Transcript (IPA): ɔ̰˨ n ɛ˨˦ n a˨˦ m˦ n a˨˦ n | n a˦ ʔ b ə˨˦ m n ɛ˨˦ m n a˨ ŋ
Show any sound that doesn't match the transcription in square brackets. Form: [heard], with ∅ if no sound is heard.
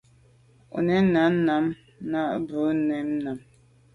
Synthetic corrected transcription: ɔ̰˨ n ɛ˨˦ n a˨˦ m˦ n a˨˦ [m] | n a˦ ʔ b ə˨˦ [∅] n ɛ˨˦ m n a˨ [m]